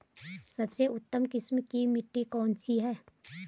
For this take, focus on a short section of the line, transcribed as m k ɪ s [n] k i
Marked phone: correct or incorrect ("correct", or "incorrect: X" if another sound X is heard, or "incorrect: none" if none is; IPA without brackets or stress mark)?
incorrect: m